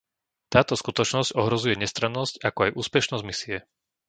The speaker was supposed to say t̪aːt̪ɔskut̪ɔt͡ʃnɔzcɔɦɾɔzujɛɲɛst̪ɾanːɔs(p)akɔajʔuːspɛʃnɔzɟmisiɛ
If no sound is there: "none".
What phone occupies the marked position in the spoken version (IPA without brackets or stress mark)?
c